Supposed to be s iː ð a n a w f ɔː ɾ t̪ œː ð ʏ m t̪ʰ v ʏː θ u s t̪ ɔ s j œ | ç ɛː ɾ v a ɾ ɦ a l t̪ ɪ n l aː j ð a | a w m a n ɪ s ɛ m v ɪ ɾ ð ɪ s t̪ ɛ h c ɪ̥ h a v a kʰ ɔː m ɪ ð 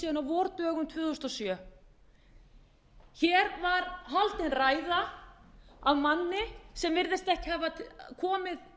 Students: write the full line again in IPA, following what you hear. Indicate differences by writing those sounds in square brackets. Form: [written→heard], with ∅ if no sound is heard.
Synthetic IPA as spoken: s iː ð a n a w [f→v] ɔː ɾ t̪ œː [ð→ɣ] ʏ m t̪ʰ v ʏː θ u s t̪ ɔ s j œ | ç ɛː ɾ v a ɾ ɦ a l t̪ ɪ n [l→r] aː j ð a | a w m a [n→nː] ɪ s ɛ m v ɪ ɾ ð ɪ s t̪ ɛ h c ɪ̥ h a v a kʰ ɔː m ɪ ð